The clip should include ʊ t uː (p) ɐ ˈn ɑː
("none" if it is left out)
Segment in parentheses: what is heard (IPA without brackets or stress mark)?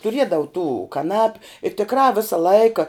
k